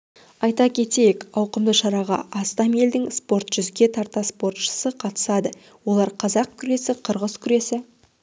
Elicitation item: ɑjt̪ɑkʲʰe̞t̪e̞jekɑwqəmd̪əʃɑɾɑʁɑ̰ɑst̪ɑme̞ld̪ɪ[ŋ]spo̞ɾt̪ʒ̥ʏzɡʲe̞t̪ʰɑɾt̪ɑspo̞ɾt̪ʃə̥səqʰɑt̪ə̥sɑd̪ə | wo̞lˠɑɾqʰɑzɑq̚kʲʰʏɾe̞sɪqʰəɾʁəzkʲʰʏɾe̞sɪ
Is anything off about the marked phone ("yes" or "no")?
no